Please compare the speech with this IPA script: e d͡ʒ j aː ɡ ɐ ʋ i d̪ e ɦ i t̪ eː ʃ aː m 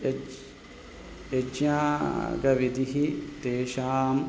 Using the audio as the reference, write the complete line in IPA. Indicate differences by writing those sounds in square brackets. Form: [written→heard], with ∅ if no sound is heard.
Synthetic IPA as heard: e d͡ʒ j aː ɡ ɐ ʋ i d̪ [e→i] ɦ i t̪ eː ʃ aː m